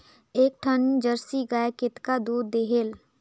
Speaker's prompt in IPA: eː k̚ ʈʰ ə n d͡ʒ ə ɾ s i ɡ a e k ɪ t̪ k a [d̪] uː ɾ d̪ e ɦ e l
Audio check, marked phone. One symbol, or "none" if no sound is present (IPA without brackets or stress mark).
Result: d̪